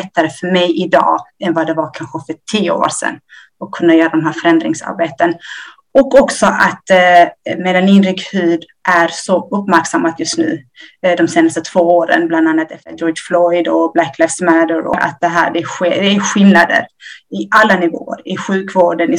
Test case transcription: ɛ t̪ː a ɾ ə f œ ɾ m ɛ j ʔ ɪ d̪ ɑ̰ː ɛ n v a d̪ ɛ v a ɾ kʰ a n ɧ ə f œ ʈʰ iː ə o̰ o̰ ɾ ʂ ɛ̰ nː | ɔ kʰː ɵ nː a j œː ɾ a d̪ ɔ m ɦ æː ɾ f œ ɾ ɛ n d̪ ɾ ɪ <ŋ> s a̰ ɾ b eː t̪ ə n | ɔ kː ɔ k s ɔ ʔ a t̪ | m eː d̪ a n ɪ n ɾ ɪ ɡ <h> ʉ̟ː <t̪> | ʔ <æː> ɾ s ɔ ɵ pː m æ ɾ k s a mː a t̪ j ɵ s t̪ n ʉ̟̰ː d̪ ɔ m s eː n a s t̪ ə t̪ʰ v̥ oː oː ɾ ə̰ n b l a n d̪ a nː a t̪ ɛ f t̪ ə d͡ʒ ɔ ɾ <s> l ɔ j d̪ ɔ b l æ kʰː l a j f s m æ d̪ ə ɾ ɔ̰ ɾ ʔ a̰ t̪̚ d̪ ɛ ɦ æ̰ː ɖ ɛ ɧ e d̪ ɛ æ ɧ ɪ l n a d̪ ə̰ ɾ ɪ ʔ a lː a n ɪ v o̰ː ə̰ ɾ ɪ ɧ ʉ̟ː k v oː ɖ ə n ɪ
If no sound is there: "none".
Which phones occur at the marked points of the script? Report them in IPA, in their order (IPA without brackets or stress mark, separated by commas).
ŋ, h, d̪, æ, f